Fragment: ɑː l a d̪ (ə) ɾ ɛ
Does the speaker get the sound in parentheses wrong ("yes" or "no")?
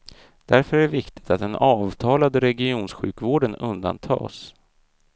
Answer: no